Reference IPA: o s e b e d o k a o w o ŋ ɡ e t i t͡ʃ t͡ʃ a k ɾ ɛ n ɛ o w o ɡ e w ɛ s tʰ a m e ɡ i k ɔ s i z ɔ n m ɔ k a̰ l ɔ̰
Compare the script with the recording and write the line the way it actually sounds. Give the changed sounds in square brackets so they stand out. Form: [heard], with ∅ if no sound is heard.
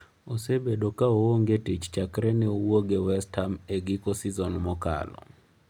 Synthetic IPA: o s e b e d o k a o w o ŋ ɡ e t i t͡ʃ t͡ʃ a k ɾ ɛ n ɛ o w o ɡ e w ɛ s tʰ a m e ɡ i k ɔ s i z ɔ n m ɔ k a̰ l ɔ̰